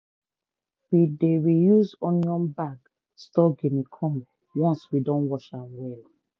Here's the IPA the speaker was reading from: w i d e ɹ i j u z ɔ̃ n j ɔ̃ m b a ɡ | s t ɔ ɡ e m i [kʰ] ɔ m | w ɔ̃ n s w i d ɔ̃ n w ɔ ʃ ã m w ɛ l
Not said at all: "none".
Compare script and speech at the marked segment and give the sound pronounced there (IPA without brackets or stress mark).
kʰ